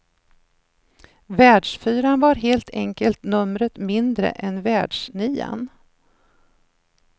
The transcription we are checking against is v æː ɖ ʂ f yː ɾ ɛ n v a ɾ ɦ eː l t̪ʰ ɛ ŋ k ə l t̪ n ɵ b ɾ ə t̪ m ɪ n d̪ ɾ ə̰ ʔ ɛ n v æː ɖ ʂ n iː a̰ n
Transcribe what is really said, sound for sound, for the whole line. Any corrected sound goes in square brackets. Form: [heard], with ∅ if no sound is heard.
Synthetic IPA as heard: v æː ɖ ʂ f yː ɾ [a] n v a ɾ ɦ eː l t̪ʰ ɛ ŋ k ə l t̪ n ɵ [m] ɾ ə t̪ m ɪ n d̪ ɾ ə̰ ʔ ɛ n v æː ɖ ʂ n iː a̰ n